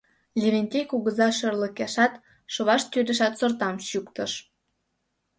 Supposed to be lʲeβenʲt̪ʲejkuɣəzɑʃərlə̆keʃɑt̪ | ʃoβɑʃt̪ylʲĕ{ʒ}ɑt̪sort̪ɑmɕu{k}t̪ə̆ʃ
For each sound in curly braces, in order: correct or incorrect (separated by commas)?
incorrect, correct